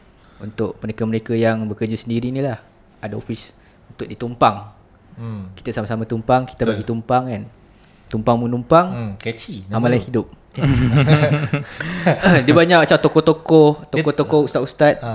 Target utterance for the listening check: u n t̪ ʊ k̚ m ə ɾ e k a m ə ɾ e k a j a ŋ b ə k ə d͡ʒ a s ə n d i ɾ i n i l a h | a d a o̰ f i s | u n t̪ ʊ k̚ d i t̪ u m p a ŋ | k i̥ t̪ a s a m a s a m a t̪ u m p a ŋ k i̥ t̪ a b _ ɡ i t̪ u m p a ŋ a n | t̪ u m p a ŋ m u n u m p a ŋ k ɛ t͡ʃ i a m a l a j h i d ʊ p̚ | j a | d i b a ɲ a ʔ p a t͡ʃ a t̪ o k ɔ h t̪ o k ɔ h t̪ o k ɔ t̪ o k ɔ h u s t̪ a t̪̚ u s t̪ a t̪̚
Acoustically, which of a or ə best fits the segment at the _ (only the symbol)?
a